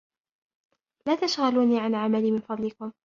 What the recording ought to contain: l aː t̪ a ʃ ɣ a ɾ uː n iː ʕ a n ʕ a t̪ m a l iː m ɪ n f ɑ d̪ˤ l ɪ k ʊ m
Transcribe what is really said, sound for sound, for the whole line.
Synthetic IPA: l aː t̪ a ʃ ɣ a l uː n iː ʕ a n ʕ a m a l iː m ɪ n f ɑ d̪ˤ l ɪ k ʊ m